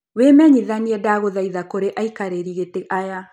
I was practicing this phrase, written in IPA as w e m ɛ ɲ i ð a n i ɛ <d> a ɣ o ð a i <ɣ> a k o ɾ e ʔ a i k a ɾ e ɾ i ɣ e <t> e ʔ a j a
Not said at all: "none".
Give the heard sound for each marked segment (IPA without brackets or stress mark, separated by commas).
d, ð, t